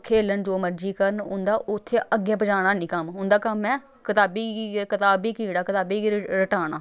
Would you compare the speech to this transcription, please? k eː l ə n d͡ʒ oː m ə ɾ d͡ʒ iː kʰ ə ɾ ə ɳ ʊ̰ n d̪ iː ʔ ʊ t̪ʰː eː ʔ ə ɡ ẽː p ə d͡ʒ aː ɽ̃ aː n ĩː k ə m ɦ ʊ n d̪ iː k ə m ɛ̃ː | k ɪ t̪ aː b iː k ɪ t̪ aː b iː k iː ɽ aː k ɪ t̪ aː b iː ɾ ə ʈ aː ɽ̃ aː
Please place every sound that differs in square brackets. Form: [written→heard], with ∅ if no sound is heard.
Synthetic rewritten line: [k→kʰ] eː l ə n d͡ʒ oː m ə ɾ d͡ʒ iː [kʰ→k] ə ɾ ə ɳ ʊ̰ n d̪ [iː→aː] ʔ ʊ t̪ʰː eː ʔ ə ɡ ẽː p ə d͡ʒ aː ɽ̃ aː n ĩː k ə m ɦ ʊ n d̪ [iː→aː] k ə m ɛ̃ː | k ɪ t̪ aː b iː k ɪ t̪ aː b iː k iː ɽ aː k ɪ t̪ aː b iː ɾ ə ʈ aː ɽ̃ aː